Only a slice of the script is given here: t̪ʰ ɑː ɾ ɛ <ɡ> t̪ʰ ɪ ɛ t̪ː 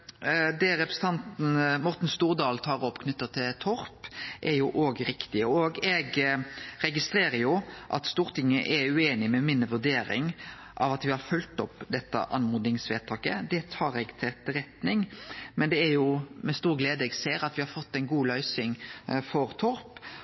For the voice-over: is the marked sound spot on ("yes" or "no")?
yes